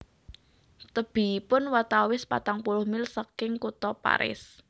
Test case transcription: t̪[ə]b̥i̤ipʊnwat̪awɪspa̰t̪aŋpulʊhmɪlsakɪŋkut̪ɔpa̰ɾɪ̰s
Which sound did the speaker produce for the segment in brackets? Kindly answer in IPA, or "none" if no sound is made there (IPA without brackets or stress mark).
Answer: ə